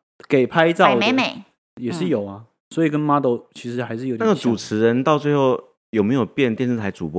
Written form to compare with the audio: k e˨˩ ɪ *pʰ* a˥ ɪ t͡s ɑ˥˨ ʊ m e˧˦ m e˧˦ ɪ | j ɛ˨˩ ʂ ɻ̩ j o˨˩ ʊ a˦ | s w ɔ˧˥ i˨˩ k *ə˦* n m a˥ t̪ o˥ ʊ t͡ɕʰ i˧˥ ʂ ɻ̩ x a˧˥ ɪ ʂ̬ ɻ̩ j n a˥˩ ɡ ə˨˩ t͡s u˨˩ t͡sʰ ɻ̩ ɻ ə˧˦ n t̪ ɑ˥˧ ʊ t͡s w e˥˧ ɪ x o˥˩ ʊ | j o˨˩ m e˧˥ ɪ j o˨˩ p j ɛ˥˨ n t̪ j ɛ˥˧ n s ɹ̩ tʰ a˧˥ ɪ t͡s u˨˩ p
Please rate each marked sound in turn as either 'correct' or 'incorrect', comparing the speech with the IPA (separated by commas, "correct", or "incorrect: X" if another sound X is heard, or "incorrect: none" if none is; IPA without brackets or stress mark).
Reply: correct, correct